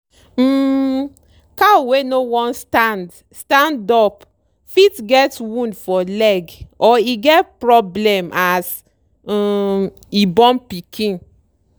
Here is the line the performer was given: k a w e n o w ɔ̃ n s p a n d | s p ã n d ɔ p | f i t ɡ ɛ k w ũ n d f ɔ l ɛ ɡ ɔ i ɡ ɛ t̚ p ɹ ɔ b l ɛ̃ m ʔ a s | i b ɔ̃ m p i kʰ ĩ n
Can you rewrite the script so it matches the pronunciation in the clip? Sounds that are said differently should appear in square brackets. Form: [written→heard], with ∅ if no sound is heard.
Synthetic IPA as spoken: k a w e n o w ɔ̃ n s [p→t] a n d | s [p→t] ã n d ɔ p | f i t ɡ ɛ [k→t] w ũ n d f ɔ l ɛ ɡ ɔ i ɡ ɛ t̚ p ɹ ɔ b l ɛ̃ m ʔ a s | i b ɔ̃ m p i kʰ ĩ n